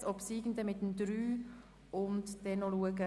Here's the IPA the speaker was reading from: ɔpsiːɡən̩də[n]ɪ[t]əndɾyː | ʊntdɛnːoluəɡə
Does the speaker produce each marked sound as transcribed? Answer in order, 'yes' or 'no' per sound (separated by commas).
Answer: no, yes